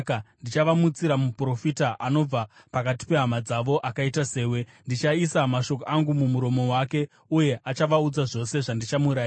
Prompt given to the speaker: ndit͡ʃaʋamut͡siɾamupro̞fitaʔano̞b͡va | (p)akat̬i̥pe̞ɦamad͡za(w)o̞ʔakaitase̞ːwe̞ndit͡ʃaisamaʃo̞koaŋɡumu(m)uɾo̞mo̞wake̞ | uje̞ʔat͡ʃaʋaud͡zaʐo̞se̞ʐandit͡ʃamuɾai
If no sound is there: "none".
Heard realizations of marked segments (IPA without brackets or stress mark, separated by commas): p, ʋ, m